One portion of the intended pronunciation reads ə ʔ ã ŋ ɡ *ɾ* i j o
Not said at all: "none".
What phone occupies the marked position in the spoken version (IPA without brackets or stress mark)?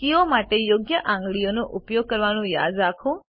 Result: ɭ